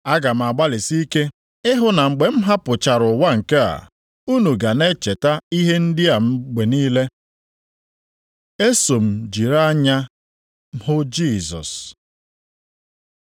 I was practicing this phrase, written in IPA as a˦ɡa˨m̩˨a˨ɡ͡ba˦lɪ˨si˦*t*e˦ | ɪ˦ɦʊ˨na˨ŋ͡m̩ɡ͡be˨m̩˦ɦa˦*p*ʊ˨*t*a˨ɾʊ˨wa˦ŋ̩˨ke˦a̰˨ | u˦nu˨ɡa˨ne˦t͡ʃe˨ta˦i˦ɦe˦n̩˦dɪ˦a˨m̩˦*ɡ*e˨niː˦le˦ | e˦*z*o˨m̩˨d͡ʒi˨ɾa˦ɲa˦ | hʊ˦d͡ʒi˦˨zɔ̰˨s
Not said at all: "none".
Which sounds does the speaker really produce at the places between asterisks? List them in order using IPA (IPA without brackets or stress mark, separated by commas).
k, p, t͡ʃ, ɡ͡b, s